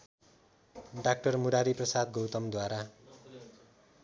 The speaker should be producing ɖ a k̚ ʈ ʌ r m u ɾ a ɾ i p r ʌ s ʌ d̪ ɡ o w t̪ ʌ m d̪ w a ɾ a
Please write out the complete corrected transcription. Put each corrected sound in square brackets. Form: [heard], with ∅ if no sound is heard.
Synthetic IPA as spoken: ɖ a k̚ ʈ ʌ r m u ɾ a ɾ i p r ʌ s [a] d̪ ɡ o w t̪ ʌ m d̪ w a ɾ a